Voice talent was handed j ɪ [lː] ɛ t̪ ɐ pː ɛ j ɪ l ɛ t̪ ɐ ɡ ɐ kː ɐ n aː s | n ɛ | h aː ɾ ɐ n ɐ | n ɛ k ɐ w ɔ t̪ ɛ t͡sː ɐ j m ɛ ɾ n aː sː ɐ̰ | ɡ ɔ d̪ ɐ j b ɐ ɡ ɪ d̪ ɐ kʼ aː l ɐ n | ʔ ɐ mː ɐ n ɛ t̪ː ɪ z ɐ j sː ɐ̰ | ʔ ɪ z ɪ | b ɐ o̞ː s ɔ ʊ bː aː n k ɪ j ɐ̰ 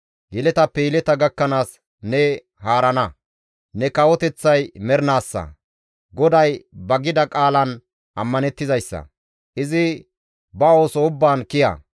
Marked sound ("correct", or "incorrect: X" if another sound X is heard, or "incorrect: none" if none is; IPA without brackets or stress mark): incorrect: l